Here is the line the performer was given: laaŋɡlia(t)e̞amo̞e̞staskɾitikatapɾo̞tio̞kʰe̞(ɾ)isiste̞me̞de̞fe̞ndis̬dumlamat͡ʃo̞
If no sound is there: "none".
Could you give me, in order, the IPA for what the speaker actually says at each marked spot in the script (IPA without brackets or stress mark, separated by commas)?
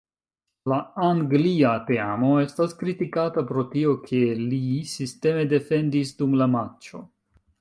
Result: t, l